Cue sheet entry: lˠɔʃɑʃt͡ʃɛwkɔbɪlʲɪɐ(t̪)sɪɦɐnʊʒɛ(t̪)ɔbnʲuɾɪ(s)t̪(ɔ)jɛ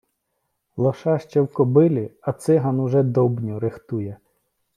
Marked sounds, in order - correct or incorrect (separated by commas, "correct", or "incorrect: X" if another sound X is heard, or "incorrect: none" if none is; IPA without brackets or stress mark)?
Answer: correct, incorrect: d̪, incorrect: x, incorrect: u